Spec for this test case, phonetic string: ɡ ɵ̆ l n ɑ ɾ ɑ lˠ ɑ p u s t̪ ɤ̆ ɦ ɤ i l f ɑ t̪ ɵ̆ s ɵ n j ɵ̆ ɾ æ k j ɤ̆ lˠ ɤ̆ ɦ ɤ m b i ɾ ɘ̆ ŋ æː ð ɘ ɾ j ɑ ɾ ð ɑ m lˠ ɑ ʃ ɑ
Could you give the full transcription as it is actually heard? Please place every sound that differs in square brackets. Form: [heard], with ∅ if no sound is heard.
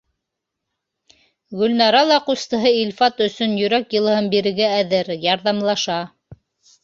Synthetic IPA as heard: ɡ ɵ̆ l n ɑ ɾ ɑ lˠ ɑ [q] u s t̪ ɤ̆ ɦ ɤ i l f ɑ t̪ ɵ̆ s ɵ n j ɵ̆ ɾ æ k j ɤ̆ lˠ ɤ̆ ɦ ɤ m b i ɾ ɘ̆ [ɡ] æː ð ɘ ɾ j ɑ ɾ ð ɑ m lˠ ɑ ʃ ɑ